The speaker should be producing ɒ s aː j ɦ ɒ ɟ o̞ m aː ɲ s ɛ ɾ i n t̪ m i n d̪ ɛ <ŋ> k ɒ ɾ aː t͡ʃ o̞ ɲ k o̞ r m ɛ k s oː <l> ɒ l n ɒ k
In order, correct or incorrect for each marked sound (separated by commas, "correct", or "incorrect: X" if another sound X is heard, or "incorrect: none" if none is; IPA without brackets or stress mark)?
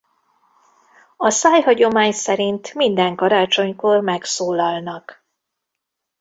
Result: correct, correct